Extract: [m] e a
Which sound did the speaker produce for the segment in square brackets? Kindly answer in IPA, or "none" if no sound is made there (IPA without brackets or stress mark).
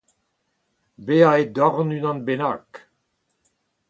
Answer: b